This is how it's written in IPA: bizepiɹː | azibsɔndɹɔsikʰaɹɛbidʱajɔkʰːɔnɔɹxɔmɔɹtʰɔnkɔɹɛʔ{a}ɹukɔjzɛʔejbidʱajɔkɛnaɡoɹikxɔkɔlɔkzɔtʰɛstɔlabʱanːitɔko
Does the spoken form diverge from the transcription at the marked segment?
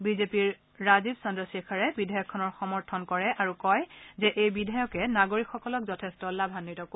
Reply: no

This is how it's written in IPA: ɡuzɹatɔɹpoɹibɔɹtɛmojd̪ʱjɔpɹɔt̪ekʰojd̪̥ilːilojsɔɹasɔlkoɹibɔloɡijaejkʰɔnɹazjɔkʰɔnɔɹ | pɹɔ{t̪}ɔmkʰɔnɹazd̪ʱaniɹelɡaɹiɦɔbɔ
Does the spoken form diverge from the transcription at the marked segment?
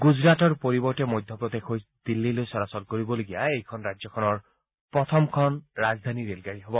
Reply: yes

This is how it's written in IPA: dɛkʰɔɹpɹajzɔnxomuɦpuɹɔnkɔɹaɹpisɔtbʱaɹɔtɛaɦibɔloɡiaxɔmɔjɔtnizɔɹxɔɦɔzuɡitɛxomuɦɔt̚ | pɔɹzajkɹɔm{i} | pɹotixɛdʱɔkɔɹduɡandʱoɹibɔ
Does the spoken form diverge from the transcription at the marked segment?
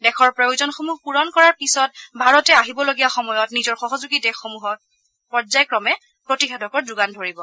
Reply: yes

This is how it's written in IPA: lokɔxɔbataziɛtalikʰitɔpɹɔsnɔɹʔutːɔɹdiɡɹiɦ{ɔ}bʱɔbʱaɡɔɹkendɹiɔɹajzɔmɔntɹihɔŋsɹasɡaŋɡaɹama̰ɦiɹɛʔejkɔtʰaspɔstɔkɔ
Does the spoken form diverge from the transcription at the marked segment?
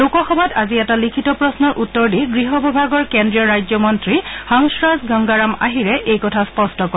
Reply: no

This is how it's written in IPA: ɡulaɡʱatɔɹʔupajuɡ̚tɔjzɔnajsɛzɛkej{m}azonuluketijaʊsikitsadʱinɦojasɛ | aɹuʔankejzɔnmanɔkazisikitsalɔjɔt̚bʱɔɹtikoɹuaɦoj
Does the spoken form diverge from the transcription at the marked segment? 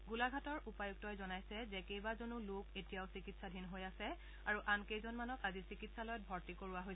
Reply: yes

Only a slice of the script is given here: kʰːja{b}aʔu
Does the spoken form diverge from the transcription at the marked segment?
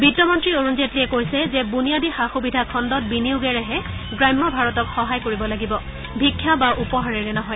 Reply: no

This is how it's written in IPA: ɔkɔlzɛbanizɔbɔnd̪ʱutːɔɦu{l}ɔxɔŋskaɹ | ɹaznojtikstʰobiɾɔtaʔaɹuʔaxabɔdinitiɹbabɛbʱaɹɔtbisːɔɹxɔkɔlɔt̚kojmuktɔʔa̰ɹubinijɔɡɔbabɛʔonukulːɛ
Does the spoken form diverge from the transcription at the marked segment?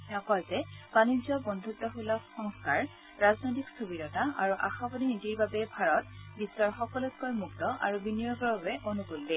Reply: no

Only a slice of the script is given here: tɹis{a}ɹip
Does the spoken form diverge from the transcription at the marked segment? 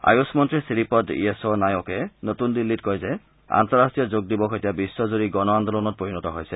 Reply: yes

